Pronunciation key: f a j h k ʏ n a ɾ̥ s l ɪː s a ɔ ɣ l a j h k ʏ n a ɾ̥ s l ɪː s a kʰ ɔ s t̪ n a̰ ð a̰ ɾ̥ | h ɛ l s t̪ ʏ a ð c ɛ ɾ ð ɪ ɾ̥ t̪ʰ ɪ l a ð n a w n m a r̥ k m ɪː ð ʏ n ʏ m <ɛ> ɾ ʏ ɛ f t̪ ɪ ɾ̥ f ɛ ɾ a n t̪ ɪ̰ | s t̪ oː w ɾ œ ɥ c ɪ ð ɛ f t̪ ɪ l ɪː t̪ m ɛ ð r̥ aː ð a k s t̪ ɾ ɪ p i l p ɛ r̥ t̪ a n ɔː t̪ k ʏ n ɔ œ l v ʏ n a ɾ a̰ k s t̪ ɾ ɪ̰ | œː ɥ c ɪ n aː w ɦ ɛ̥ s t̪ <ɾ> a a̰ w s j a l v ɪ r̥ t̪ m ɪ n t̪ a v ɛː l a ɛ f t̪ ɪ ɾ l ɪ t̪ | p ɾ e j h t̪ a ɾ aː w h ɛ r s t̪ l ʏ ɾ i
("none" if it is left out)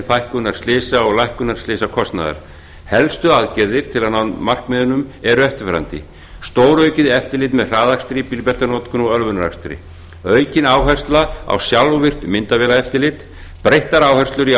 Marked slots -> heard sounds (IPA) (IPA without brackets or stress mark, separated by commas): ɛ, l